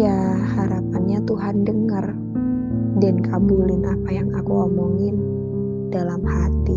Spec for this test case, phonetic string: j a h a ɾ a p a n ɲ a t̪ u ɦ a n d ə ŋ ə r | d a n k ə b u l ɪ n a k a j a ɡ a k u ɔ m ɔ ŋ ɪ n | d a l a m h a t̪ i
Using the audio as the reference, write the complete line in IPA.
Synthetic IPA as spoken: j a h a ɾ a p a n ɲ a t̪ u ɦ a n d ə ŋ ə r | d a n k a b u l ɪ n a p a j a ŋ a k u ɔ m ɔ ŋ ɪ n | d a l a m h a t̪ i